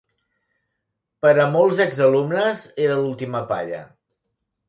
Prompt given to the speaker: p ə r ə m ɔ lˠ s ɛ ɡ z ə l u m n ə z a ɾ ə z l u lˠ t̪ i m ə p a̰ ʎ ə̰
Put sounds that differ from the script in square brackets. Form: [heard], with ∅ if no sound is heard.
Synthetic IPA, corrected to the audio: p ə [ɾ] ə m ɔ lˠ [z] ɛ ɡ z ə l u m n ə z [e] ɾ ə [∅] l u lˠ t̪ i m ə p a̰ ʎ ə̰